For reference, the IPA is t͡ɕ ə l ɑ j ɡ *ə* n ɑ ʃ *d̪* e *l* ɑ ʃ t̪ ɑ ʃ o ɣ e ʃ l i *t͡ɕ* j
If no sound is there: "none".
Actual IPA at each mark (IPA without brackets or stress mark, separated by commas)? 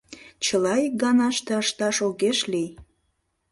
ɑ, t̪, none, none